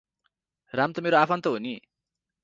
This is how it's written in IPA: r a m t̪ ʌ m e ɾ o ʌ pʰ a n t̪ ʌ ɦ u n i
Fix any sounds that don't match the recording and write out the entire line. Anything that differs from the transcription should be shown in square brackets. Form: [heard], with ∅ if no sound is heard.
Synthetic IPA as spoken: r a m t̪ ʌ m e ɾ o [a] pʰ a n t̪ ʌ ɦ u n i